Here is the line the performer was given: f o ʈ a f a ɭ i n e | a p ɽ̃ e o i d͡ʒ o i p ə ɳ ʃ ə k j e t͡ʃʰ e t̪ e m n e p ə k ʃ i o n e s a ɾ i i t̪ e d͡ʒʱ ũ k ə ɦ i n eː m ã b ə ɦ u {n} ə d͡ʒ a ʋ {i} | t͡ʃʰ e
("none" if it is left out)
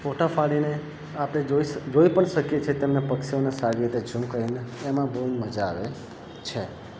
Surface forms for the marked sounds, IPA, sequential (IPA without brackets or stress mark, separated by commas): m, e